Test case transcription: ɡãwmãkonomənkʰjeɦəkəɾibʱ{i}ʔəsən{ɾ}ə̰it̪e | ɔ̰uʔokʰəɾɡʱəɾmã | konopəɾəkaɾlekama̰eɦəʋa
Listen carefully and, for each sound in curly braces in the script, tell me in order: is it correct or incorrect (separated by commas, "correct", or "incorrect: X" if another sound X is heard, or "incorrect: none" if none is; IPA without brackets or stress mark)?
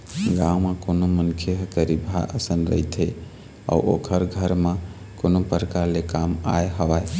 incorrect: a, correct